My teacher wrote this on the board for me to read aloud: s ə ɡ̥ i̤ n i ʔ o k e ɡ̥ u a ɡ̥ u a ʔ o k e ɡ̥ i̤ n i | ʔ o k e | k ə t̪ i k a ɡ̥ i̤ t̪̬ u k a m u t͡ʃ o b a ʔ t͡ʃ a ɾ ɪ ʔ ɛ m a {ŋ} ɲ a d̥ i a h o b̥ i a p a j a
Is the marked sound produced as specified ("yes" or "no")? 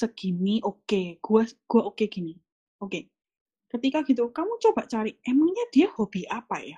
yes